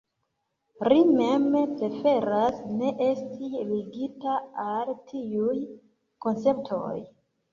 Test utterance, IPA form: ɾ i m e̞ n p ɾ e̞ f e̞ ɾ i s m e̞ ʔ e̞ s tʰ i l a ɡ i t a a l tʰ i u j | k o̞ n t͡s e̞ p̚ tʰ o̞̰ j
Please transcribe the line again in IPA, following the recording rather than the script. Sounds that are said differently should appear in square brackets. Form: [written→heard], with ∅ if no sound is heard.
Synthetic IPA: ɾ i m e̞ [n→m] p ɾ e̞ f e̞ ɾ [i→a] s [m→n] e̞ ʔ e̞ s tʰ i l [a→i] ɡ i t a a l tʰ i u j | k o̞ n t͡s e̞ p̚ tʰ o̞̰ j